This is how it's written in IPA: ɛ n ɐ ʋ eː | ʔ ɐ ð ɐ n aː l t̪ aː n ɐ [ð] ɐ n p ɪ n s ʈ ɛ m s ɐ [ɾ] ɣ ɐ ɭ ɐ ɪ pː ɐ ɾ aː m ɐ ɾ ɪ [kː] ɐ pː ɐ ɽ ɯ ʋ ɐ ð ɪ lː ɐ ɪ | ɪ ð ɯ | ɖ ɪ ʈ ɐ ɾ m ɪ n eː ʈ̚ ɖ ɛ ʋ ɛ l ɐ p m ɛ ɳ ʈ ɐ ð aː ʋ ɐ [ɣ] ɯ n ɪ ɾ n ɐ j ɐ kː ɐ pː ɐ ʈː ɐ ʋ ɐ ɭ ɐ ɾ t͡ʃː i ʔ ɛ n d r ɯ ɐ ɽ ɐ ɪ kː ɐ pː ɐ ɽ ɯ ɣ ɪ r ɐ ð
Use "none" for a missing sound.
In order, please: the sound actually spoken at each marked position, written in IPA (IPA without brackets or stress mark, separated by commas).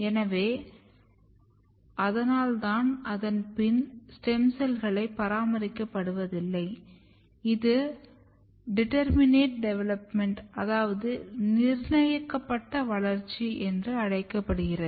ð, l, kː, ð